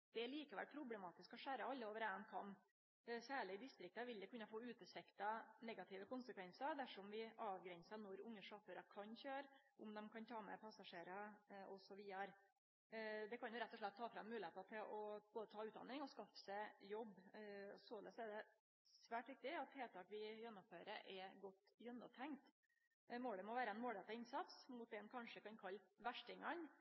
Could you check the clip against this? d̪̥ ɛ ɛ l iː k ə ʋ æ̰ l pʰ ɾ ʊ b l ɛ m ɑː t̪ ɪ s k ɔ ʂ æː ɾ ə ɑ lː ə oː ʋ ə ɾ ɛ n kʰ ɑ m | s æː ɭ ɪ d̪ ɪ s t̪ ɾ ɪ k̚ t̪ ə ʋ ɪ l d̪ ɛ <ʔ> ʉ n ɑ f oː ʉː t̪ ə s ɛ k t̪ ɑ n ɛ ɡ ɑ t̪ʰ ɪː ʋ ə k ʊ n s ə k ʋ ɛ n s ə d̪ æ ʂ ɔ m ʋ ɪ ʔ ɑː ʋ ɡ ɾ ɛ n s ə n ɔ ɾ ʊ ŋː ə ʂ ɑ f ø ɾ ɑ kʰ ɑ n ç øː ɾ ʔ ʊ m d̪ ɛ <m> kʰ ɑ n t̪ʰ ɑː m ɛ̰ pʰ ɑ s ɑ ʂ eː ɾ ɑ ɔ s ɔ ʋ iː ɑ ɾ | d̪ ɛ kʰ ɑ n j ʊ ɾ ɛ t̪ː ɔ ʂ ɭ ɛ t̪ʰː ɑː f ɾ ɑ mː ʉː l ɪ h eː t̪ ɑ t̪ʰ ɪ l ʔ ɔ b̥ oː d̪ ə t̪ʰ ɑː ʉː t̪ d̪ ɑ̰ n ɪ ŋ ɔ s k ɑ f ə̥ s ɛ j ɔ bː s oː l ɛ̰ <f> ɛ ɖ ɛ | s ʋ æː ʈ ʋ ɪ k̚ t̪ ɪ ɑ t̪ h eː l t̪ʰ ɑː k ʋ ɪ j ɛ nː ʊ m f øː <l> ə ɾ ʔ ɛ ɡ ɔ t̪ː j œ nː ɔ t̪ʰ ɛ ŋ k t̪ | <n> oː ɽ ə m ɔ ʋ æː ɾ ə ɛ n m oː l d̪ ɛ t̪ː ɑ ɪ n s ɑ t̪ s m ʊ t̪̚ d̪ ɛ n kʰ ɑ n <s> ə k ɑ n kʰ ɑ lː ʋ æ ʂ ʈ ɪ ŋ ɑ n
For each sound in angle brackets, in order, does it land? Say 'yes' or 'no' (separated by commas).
no, yes, no, no, no, no